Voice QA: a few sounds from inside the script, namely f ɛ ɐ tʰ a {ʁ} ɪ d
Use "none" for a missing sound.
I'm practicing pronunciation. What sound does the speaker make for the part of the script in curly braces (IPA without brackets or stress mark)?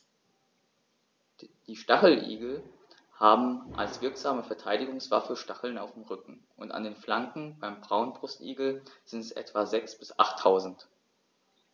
none